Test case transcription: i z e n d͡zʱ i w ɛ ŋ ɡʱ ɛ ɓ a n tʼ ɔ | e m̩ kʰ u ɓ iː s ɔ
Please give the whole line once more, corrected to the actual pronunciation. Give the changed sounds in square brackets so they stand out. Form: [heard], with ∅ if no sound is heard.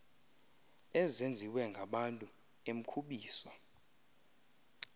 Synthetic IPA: [ɛ] z e n d͡zʱ i w ɛ ŋ ɡʱ [a] ɓ a n tʼ [u] | e m̩ kʰ u ɓ iː s ɔ